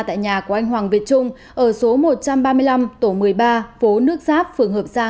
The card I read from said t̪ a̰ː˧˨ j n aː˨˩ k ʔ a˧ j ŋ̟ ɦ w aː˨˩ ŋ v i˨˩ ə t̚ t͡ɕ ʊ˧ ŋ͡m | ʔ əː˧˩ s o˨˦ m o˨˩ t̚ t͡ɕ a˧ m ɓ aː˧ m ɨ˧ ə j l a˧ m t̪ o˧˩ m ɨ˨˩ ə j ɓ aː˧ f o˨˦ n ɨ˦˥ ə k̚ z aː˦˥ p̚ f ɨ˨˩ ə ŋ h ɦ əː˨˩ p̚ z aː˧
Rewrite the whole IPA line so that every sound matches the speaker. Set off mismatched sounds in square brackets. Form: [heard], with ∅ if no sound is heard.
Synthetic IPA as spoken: t̪ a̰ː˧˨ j [ɲ] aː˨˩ k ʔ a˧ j ŋ̟ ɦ w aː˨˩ ŋ v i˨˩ ə t̚ t͡ɕ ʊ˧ ŋ͡m | ʔ əː˧˩ s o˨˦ m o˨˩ t̚ t͡ɕ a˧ m ɓ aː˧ m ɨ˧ ə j l a˧ m t̪ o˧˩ m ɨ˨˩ ə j ɓ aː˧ f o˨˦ n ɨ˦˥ ə k̚ z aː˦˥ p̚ f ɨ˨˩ ə ŋ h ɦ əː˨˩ p̚ z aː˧